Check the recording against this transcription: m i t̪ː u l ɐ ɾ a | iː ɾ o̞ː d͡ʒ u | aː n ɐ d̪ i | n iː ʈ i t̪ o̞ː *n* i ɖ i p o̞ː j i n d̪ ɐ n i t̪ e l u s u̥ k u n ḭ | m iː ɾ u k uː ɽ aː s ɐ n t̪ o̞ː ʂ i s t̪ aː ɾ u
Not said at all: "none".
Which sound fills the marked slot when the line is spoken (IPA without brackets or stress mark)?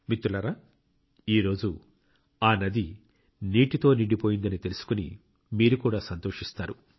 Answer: n